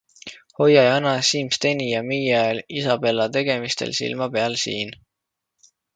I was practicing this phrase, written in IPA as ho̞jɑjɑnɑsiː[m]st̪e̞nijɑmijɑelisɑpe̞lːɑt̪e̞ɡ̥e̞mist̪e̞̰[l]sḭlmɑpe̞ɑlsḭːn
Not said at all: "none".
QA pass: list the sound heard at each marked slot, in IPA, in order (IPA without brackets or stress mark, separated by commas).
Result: m, l